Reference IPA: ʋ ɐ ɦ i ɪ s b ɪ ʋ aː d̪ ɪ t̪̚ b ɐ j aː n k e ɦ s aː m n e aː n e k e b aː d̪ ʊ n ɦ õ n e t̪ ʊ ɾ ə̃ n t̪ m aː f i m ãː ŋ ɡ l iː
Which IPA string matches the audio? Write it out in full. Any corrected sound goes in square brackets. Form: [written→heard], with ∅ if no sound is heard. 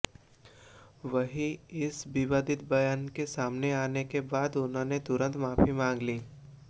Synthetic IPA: ʋ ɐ ɦ i ɪ s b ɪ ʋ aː d̪ ɪ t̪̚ b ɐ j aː n k e [ɦ→∅] s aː m n e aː n e k e b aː d̪ ʊ n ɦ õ n e t̪ ʊ ɾ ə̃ n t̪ m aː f i m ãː ŋ ɡ l iː

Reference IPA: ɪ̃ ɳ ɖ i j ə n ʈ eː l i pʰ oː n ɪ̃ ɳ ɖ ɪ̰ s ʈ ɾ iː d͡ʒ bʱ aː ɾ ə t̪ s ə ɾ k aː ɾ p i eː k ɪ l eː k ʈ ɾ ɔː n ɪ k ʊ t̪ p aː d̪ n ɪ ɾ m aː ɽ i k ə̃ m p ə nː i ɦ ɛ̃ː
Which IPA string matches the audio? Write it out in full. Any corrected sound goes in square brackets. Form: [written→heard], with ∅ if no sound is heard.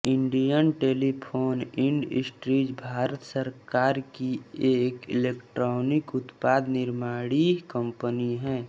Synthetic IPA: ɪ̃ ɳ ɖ i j ə n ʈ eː l i pʰ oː n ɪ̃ ɳ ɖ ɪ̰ s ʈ ɾ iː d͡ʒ bʱ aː ɾ ə t̪ s ə ɾ k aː ɾ [p→k] i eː k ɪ l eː k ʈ ɾ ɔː n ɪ k ʊ t̪ p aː d̪ n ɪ ɾ m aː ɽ i k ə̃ m p ə [nː→n] i ɦ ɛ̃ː

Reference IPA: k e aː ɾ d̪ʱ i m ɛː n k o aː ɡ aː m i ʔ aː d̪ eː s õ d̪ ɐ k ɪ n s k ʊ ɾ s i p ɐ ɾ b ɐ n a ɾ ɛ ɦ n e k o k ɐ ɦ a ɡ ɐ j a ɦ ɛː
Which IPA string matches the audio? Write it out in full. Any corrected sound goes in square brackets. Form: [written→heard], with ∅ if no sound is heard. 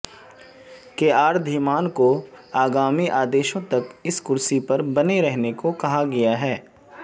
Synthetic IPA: k e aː ɾ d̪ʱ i m [ɛː→aː] n k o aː ɡ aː m i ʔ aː d̪ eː [s→ʃ] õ [d̪→t̪] ɐ k ɪ [n→∅] s k ʊ ɾ s i p ɐ ɾ b ɐ n [a→e] ɾ ɛ ɦ n e k o k ɐ ɦ a ɡ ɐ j a ɦ ɛː

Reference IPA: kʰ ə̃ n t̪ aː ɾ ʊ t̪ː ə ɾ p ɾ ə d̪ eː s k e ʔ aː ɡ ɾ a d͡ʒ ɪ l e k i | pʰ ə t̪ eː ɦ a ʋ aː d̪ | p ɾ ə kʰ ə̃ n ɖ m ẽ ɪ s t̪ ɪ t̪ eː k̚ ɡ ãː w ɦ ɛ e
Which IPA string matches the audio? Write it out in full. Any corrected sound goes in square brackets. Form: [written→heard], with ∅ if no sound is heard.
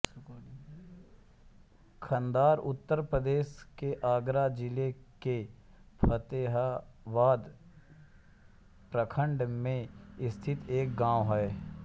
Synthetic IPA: kʰ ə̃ n [t̪→d̪] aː ɾ ʊ t̪ː ə ɾ p ɾ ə d̪ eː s k e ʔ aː ɡ ɾ a d͡ʒ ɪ l e k [i→e] | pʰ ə t̪ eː ɦ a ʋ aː d̪ | p ɾ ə kʰ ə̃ [n→ɳ] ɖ m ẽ ɪ s [t̪→t̪ʰ] ɪ t̪ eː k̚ ɡ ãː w ɦ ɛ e

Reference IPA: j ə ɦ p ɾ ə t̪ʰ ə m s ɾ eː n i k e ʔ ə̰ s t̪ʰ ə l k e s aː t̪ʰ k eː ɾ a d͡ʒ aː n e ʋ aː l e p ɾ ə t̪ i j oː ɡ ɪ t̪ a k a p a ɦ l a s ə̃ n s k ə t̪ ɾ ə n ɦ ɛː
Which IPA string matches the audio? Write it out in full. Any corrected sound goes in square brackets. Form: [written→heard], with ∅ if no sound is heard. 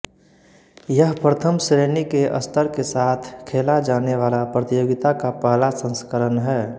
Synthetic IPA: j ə ɦ p ɾ ə t̪ʰ ə m s ɾ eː n i k e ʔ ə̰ s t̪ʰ ə [l→ɾ] k e s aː t̪ʰ [k→kʰ] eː [ɾ→l] a d͡ʒ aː n e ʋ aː l [e→a] p ɾ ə t̪ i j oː ɡ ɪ t̪ a k a p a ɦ l a s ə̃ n s k ə [t̪→∅] ɾ ə n ɦ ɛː

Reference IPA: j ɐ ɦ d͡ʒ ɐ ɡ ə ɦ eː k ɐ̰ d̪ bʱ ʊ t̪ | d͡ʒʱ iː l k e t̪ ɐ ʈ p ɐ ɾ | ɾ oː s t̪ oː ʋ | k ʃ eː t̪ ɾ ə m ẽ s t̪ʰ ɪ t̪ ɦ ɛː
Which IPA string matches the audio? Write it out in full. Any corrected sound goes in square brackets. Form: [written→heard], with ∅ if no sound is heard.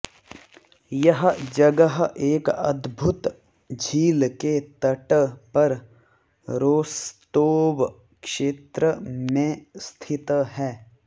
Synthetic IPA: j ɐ ɦ d͡ʒ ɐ ɡ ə ɦ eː k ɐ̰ d̪ bʱ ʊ t̪ | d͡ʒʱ iː l k e t̪ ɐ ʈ p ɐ ɾ | ɾ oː s t̪ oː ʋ | k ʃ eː t̪ ɾ ə m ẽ s t̪ʰ ɪ t̪ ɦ ɛː

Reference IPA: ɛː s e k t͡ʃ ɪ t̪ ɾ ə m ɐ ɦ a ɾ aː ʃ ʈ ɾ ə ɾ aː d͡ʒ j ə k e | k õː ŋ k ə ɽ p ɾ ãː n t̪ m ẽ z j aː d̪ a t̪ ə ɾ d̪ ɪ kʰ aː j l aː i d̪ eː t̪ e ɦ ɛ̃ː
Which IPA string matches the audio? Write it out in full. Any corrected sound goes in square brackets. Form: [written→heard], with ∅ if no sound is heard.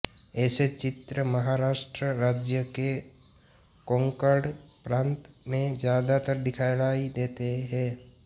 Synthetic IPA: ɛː s e [k→∅] t͡ʃ ɪ t̪ ɾ ə m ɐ ɦ a ɾ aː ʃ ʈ ɾ ə ɾ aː d͡ʒ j ə k e | k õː ŋ k ə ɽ p ɾ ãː n t̪ m ẽ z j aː d̪ a t̪ ə ɾ d̪ ɪ kʰ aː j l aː i d̪ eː t̪ e ɦ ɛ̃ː

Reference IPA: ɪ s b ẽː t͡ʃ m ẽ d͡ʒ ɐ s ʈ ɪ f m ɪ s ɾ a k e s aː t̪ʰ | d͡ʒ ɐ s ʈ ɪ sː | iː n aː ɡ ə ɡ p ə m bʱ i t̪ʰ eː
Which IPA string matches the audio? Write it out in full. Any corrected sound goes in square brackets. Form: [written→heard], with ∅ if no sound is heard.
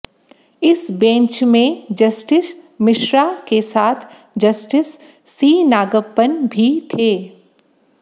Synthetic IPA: ɪ s b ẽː t͡ʃ m ẽ d͡ʒ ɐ s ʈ ɪ [f→s] m ɪ [s→ʃ] ɾ a k e s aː t̪ʰ | d͡ʒ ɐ s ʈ ɪ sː | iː n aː ɡ ə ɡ p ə [m→n] bʱ i t̪ʰ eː

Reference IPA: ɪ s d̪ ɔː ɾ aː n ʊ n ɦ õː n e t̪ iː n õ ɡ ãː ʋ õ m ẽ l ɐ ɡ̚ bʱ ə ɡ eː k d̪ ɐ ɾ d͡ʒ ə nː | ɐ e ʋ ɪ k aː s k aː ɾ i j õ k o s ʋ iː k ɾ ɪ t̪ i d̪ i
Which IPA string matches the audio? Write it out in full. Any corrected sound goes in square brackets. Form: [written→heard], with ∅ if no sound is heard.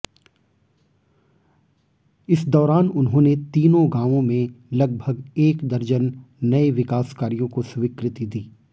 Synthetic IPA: ɪ s d̪ ɔː ɾ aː n ʊ n ɦ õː n e t̪ iː n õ ɡ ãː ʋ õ m ẽ l ɐ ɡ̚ bʱ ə ɡ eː k d̪ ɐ ɾ d͡ʒ ə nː | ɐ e ʋ ɪ k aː s k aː ɾ i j õ k o s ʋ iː k ɾ ɪ t̪ i d̪ [i→iː]

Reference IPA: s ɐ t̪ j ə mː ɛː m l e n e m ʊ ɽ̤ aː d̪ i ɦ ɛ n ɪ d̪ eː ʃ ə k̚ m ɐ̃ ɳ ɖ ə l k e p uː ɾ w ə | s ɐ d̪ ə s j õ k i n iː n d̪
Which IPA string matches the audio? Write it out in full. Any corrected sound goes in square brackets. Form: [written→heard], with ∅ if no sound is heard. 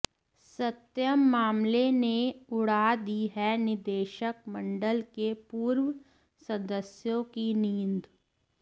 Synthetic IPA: s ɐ t̪ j ə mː [ɛː→aː] m l e n e [m→∅] ʊ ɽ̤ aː d̪ i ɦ ɛ n ɪ d̪ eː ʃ ə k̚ m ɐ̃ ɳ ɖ ə l k e p uː ɾ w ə | s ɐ d̪ ə s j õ k i n iː n d̪

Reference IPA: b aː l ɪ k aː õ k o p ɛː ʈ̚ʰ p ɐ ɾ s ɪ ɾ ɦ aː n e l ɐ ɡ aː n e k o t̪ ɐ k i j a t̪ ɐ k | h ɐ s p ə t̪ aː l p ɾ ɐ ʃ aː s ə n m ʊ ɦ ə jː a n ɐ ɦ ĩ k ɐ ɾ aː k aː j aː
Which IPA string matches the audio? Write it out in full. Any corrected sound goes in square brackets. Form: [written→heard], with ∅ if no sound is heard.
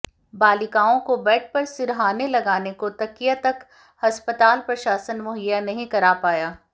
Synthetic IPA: b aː l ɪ k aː õ k o [p→b] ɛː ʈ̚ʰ p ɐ ɾ s ɪ ɾ ɦ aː n e l ɐ ɡ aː n e k o t̪ ɐ k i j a t̪ ɐ k | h ɐ s p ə t̪ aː l p ɾ ɐ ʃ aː s ə n m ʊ ɦ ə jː a n ɐ ɦ ĩ k ɐ ɾ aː [k→p] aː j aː

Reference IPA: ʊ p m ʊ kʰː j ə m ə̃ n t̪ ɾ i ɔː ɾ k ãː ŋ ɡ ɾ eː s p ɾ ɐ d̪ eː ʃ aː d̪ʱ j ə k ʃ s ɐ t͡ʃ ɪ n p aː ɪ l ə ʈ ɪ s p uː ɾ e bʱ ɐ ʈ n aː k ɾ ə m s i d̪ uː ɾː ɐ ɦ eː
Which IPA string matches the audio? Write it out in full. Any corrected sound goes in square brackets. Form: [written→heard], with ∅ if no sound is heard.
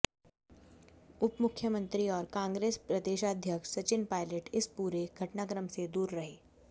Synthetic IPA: ʊ p m ʊ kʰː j ə m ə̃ n t̪ ɾ i ɔː ɾ k ãː ŋ ɡ ɾ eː s p ɾ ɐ d̪ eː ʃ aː d̪ʱ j ə k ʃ s ɐ t͡ʃ ɪ n p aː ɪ l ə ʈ ɪ s p uː ɾ e [bʱ→ɡʱ] ɐ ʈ n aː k ɾ ə m s [i→e] d̪ uː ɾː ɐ ɦ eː

